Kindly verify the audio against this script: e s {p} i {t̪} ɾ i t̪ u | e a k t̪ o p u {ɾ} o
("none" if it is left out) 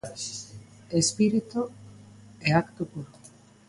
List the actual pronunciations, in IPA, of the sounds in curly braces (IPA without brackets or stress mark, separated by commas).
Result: p, none, ɾ